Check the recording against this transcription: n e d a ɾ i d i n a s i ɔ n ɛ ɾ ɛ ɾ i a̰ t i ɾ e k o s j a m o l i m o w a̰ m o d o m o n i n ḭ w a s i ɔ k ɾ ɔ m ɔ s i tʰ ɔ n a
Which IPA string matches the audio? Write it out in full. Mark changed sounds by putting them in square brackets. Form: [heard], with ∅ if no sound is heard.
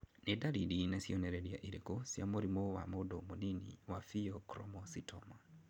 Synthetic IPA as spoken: n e d a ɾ i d i n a s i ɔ n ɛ ɾ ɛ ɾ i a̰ [ʔ] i ɾ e k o s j a m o [ɾ] i m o w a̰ m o d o m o n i n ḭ w a [f] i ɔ k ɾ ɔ m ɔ s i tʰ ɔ [m] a